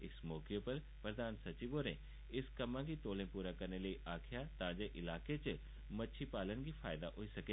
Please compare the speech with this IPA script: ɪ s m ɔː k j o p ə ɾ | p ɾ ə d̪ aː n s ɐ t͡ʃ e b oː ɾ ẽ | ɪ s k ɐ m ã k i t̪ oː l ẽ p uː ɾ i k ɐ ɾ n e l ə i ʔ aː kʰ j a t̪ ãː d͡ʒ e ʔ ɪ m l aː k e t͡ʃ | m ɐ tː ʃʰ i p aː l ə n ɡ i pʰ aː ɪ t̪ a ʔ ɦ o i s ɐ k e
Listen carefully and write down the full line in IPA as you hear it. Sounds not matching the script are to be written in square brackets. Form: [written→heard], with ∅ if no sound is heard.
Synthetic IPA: ɪ s m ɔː k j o p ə ɾ | p ɾ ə d̪ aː n s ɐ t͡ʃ [e→i] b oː ɾ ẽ | ɪ s k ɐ m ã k i t̪ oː l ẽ p uː ɾ [i→a] k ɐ ɾ n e l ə i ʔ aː kʰ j a t̪ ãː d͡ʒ e ʔ ɪ [m→∅] l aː k e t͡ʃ | m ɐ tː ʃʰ i p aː l ə n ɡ i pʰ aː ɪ [t̪→d̪] a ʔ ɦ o i s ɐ k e